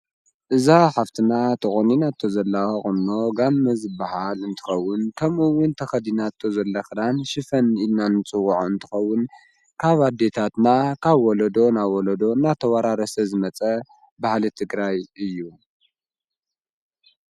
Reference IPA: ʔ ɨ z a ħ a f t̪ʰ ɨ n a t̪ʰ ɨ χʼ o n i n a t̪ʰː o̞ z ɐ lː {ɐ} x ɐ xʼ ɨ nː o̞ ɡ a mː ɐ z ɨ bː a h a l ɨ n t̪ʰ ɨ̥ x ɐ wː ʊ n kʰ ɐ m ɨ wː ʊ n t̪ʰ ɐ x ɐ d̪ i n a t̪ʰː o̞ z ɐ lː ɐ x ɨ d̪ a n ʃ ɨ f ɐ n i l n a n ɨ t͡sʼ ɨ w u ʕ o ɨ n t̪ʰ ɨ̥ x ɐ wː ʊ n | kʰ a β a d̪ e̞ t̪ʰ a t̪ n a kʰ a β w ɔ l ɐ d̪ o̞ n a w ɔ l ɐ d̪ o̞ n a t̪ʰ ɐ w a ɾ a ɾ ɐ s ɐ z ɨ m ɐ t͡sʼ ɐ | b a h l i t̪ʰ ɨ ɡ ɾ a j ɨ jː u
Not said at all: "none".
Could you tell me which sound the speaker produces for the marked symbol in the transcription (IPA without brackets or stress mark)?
a